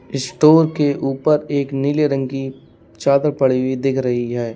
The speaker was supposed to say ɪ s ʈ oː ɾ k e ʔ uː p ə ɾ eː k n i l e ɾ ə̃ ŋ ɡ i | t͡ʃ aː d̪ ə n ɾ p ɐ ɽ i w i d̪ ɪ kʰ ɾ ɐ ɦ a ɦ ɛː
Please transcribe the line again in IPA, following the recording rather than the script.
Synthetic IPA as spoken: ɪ s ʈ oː ɾ k e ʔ uː p ə ɾ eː k n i l e ɾ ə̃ ŋ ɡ i | t͡ʃ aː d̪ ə ɾ p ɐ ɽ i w i d̪ ɪ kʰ ɾ ɐ ɦ i ɦ ɛː

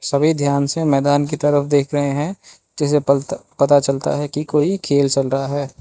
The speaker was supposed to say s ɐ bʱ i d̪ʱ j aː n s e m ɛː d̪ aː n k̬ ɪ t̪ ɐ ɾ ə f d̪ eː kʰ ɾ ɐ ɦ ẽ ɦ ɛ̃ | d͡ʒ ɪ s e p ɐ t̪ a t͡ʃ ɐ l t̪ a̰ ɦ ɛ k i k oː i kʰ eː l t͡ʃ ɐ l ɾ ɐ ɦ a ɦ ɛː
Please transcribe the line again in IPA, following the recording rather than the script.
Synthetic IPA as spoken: s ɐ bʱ i d̪ʱ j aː n s e m ɛː d̪ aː n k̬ i t̪ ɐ ɾ ə f d̪ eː kʰ ɾ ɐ ɦ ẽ ɦ ɛ̃ | d͡ʒ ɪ s e p ɐ t̪ a t͡ʃ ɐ l t̪ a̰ ɦ ɛ k i k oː i kʰ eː l t͡ʃ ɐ l ɾ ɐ ɦ a ɦ ɛː

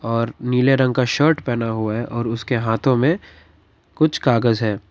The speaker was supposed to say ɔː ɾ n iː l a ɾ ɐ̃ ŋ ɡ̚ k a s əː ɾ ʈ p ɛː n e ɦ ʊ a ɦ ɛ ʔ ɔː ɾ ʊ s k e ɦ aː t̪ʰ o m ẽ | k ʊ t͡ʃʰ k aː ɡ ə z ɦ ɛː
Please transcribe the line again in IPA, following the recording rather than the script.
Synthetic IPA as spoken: ɔː ɾ n iː l e ɾ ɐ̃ ŋ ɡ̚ k a ʃ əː ɾ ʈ p ɛː n a ɦ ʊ a ɦ ɛ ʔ ɔː ɾ ʊ s k e ɦ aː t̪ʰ õ m ẽ | k ʊ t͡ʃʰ k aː ɡ ə z ɦ ɛː

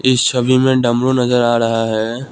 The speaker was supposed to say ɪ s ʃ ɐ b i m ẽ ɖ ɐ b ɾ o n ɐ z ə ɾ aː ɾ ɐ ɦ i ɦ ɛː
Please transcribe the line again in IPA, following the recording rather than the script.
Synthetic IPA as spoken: ɪ s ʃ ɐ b i m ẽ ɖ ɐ m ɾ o n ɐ z ə ɾ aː ɾ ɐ ɦ a ɦ ɛː

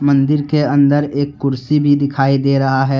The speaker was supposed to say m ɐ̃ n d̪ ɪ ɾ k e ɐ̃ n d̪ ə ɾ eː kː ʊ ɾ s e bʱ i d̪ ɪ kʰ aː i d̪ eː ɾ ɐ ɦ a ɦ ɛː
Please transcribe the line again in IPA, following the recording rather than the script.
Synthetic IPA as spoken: m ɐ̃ n d̪ ɪ ɾ k e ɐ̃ n d̪ ə ɾ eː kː ʊ ɾ s i bʱ i d̪ ɪ kʰ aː i d̪ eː ɾ ɐ ɦ a ɦ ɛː

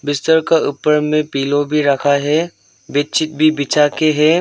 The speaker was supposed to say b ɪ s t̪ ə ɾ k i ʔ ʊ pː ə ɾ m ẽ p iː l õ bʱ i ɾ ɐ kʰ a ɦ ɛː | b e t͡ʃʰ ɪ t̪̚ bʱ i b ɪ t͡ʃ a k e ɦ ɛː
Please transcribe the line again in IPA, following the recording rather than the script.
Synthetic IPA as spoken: b ɪ s t̪ ə ɾ k a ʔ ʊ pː ə ɾ m ẽ p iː l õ bʱ i ɾ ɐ kʰ a ɦ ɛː | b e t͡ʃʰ ɪ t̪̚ bʱ i b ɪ t͡ʃ a k e ɦ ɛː

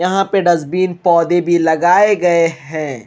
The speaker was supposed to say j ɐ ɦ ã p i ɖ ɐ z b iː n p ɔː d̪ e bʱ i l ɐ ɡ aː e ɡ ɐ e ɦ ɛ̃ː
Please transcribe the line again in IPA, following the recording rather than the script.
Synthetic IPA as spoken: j ɐ ɦ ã p e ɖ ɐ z b iː n p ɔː d̪ e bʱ i l ɐ ɡ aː e ɡ ɐ e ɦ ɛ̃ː

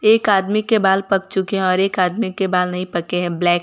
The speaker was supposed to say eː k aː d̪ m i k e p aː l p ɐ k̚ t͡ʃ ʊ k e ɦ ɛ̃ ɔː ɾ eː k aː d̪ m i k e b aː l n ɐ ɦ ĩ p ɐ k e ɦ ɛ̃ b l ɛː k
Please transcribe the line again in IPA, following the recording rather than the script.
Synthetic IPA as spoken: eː k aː d̪ m i k e b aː l p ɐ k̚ t͡ʃ ʊ k e ɦ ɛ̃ ɔː ɾ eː k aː d̪ m i k e b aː l n ɐ ɦ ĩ p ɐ k e ɦ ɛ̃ b l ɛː k

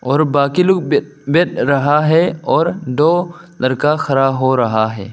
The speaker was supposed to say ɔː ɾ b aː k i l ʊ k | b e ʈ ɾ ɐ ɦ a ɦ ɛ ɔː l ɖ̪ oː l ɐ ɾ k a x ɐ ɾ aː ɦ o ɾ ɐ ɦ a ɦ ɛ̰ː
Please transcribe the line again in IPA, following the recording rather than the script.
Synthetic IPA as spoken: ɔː ɾ b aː k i l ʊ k | b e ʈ ɾ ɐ ɦ a ɦ ɛ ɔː ɾ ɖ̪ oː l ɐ ɾ k a x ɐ ɾ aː ɦ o ɾ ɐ ɦ a ɦ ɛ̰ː

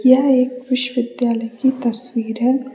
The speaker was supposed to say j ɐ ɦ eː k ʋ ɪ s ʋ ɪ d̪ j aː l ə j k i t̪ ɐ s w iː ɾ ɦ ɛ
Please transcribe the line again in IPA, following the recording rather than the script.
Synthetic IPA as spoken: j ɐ ɦ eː k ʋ ɪ ʃ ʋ ɪ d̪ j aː l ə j k i t̪ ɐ s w iː ɾ ɦ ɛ

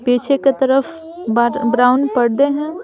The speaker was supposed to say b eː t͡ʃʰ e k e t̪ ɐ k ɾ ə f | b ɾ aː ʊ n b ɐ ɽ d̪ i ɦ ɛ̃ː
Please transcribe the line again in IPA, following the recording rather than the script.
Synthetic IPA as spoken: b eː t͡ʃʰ e k e t̪ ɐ ɾ ə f | b ɾ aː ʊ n p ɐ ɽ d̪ e ɦ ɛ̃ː

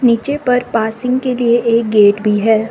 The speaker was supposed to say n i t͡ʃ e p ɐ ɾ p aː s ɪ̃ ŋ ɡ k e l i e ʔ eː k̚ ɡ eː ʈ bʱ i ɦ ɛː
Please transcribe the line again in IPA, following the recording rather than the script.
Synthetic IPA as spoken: n iː t͡ʃ e p ɐ ɾ p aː s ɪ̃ ŋ ɡ k e l i e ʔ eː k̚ ɡ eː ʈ bʱ i ɦ ɛː

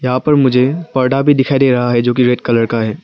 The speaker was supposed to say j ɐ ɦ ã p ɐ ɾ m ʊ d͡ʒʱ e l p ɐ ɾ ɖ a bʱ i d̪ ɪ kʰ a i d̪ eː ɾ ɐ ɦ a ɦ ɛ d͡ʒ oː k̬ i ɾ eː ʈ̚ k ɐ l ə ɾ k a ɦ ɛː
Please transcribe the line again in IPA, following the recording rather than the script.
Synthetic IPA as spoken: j ɐ ɦ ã p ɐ ɾ m ʊ d͡ʒʱ e p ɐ ɾ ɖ a bʱ i d̪ ɪ kʰ a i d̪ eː ɾ ɐ ɦ a ɦ ɛ d͡ʒ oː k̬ i ɾ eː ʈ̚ k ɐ l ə ɾ k a ɦ ɛː

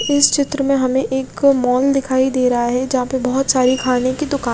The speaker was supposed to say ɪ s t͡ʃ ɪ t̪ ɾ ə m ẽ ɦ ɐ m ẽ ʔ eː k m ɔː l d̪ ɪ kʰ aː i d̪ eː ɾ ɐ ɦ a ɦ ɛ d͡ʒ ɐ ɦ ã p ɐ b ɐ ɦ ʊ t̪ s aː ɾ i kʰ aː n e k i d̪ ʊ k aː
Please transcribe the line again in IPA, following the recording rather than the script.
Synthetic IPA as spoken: ɪ s t͡ʃ ɪ t̪ ɾ ə m ẽ ɦ ɐ m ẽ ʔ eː k m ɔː l d̪ ɪ kʰ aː i d̪ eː ɾ ɐ ɦ a ɦ ɛ d͡ʒ ɐ ɦ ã p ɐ b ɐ ɦ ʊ t̪ s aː ɾ i kʰ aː n e k i d̪ ʊ k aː

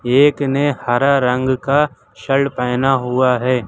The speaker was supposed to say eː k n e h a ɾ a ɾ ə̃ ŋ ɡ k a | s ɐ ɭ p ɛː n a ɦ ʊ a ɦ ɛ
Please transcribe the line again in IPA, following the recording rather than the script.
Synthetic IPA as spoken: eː k n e h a ɾ a ɾ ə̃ ŋ ɡ k a | ʃ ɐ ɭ p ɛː n a ɦ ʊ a ɦ ɛː

